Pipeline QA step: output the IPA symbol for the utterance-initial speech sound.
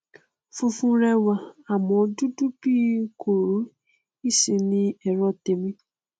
f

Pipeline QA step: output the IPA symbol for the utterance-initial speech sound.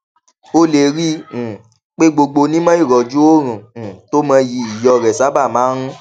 o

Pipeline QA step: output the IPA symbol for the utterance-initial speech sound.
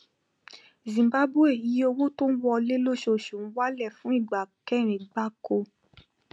z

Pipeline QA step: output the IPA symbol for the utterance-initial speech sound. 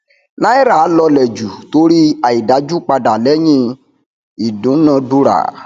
n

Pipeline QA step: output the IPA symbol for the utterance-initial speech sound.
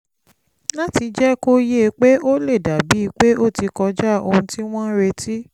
l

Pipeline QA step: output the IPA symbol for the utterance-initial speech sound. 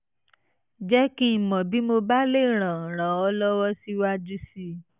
d͡ʒ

